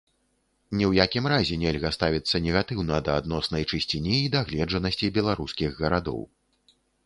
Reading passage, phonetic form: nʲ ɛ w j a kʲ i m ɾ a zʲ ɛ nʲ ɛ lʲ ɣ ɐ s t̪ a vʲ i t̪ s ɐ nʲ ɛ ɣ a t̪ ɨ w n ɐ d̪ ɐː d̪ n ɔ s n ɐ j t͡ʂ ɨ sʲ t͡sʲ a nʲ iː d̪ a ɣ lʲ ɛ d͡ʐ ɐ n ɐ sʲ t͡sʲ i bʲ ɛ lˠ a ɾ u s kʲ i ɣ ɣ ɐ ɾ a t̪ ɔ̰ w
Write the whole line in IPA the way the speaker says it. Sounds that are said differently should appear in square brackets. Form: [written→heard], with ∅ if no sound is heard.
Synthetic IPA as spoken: nʲ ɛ w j a kʲ i m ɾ a zʲ ɛ nʲ ɛ lʲ ɣ ɐ s t̪ a vʲ i t̪ [s→sː] ɐ nʲ ɛ ɣ a t̪ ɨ w n ɐ d̪ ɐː d̪ n ɔ s n ɐ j t͡ʂ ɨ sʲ t͡sʲ [a→i] nʲ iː d̪ a ɣ lʲ ɛ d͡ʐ ɐ n ɐ sʲ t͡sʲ i bʲ ɛ lˠ a ɾ u s kʲ i ɣ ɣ ɐ ɾ a [t̪→d̪] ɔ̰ w